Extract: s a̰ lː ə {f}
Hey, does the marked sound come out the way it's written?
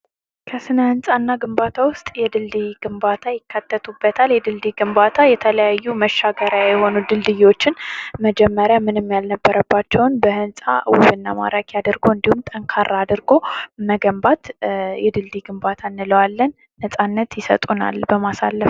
yes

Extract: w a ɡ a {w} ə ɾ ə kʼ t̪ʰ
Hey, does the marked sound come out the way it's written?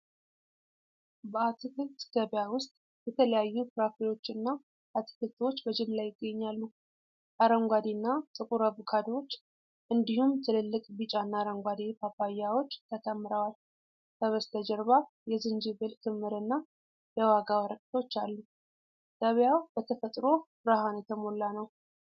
yes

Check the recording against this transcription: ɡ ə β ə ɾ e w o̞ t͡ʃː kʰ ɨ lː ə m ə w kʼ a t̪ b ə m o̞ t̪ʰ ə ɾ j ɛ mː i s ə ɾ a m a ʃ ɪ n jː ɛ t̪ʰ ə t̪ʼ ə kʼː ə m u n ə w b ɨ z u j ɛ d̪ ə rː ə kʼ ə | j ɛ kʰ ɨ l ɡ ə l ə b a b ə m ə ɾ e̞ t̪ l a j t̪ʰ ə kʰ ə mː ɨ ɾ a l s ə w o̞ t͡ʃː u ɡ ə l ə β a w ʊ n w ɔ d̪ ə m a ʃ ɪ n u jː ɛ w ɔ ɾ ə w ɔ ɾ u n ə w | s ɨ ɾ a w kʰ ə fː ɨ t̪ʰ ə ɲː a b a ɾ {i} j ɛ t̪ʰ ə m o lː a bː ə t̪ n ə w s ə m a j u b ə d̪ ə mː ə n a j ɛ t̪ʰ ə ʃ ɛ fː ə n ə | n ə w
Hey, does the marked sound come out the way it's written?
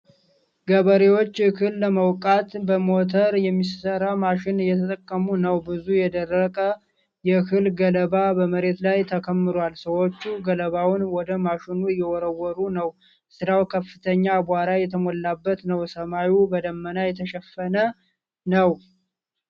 no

